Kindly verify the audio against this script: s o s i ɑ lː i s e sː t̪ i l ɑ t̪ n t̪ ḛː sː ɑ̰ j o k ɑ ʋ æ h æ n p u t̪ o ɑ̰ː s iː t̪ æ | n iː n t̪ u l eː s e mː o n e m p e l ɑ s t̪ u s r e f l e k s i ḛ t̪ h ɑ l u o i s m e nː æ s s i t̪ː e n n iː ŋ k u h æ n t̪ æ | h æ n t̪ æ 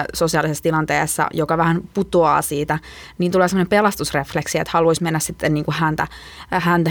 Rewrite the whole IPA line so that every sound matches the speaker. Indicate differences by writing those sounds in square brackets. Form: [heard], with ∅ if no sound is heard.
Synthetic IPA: s o s i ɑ [l] i s e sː t̪ i l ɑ [∅] n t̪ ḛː sː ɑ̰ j o k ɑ ʋ æ h æ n p u t̪ o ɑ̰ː s iː t̪ æ | n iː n t̪ u l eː s e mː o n e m p e l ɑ s t̪ u s r e f l e k s i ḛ t̪ h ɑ l u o i s m e nː æ s s i t̪ː e n n iː ŋ k u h æ n t̪ æ | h æ n t̪ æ